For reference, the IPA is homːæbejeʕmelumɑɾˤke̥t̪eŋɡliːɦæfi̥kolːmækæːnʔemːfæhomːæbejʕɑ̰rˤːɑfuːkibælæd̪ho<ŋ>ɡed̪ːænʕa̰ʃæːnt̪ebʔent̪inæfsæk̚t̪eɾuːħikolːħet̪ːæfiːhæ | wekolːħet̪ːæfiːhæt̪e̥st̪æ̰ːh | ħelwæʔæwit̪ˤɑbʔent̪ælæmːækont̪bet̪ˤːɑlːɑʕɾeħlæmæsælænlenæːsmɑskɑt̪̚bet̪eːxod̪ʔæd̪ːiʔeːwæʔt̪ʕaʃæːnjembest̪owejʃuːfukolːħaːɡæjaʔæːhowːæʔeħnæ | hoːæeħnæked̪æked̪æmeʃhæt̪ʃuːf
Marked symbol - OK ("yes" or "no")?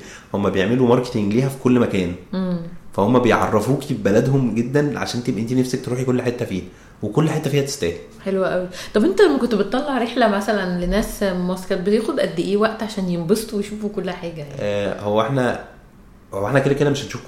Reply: no